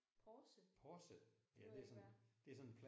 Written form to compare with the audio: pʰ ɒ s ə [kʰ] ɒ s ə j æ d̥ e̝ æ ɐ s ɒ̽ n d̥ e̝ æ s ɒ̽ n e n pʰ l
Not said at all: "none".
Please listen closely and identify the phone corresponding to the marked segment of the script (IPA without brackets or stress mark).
pʰ